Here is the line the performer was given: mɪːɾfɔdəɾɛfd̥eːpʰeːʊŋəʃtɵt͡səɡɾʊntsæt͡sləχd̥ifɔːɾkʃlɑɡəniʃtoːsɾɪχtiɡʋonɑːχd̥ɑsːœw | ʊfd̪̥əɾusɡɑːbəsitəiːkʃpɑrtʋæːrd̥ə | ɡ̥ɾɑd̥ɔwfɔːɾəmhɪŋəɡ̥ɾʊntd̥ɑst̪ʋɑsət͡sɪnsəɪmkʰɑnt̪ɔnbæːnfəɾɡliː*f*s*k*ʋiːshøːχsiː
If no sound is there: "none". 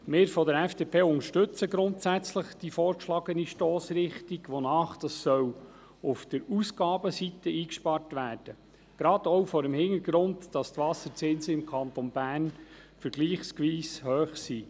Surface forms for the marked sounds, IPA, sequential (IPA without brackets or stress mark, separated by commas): χ, k